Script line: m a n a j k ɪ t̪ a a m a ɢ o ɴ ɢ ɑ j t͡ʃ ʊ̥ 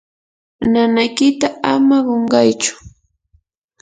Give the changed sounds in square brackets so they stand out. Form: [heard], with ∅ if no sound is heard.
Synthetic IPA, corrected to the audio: [n] a n a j k ɪ t̪ a a m a ɢ o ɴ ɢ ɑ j t͡ʃ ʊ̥